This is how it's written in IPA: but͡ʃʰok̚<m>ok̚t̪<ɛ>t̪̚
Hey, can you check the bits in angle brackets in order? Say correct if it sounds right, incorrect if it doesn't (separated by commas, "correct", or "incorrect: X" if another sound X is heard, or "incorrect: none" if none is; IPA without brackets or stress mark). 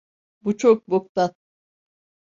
incorrect: b, incorrect: a